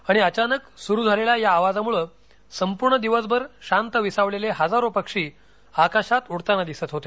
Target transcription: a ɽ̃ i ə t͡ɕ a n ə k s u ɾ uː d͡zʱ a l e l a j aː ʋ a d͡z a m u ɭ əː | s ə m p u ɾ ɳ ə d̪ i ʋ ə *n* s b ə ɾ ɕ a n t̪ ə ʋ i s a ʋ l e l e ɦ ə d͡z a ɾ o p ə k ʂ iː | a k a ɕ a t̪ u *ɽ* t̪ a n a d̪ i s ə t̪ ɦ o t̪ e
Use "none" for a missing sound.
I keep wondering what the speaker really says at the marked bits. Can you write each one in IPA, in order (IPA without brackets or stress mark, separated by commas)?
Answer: none, ɽ